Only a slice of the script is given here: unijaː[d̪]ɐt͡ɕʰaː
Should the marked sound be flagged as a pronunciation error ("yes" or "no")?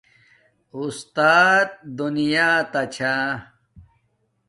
yes